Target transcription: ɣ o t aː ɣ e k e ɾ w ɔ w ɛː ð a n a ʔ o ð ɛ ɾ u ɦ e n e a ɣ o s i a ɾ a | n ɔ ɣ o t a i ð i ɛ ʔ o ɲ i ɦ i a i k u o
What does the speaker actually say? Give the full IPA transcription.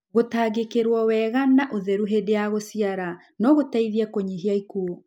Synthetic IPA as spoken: ɣ o t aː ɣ e k e ɾ w ɔ w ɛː ɣ a n a ʔ o ð ɛ ɾ u ɦ e d e a ɣ o s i a ɾ a | n ɔ ɣ o t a i ð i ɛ k o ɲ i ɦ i a i k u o